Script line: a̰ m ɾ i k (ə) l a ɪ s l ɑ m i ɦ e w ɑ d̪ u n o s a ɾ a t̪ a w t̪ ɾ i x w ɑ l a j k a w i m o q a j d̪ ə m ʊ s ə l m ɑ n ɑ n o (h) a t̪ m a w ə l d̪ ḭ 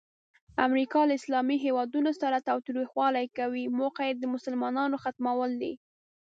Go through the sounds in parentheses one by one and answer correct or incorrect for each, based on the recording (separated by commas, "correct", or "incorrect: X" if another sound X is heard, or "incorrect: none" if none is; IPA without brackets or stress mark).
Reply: incorrect: ɑ, incorrect: x